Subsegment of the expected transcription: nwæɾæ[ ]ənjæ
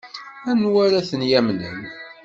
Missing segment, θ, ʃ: θ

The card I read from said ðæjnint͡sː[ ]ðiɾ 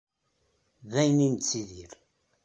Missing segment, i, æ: i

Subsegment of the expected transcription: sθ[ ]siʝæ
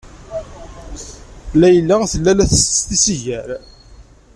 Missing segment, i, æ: i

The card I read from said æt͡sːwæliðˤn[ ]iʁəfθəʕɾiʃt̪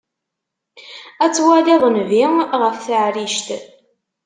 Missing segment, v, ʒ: v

